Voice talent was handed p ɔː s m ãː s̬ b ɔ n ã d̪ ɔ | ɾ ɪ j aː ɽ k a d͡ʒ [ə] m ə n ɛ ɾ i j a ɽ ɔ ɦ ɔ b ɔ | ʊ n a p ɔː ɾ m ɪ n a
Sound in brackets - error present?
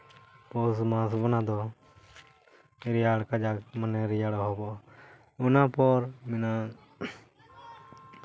yes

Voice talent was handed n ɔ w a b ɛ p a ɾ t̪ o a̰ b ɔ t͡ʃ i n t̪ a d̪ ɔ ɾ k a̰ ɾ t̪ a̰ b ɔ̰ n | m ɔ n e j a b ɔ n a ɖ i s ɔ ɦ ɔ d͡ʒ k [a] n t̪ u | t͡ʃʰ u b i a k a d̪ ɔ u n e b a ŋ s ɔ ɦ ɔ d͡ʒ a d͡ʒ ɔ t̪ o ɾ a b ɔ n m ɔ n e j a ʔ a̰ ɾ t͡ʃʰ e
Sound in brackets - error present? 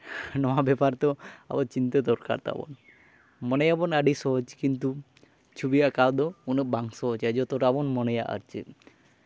yes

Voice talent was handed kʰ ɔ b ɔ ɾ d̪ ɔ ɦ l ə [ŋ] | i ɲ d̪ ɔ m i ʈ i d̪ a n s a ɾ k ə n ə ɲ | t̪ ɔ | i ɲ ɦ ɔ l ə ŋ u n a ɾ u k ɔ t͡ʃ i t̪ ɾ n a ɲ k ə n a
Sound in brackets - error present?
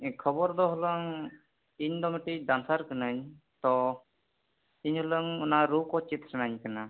no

